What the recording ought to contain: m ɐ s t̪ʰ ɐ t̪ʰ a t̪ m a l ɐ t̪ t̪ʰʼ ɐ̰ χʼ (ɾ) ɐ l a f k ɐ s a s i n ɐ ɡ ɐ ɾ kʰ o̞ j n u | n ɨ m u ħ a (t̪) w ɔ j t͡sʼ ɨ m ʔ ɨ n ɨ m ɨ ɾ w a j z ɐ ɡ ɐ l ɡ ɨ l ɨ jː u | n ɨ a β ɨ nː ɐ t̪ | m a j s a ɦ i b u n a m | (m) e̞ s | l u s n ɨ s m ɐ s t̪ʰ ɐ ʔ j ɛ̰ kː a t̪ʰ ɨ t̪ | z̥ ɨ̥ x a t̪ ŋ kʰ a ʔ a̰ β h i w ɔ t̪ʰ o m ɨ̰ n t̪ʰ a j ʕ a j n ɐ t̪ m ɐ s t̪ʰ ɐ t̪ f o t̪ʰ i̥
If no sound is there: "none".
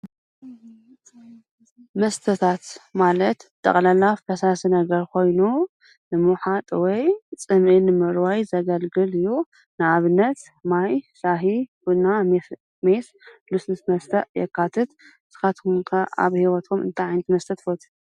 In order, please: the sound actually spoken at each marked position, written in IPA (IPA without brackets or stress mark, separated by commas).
l, t̪ʼ, m